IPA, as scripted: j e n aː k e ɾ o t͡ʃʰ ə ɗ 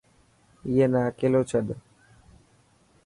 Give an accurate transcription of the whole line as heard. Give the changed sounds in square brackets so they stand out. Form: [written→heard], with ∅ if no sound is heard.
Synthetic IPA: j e n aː k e [ɾ→l] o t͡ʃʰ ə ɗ